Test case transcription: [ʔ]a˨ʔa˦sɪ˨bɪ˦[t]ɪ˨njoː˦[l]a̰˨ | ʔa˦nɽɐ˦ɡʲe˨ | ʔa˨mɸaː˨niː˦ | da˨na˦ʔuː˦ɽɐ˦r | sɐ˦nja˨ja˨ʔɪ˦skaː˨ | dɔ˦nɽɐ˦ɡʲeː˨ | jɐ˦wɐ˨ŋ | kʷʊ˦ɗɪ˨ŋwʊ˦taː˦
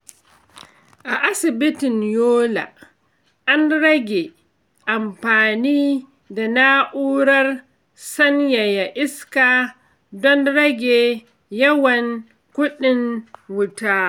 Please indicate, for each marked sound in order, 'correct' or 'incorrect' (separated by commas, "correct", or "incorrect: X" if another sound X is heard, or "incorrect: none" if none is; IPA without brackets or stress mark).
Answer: correct, correct, correct